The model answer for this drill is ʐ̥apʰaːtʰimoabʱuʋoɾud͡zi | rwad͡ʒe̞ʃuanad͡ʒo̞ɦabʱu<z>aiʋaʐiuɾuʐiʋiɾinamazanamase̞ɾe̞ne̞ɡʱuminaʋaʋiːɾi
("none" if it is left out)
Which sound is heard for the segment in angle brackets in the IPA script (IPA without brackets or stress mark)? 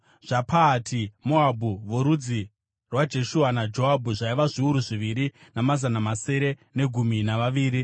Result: ʐ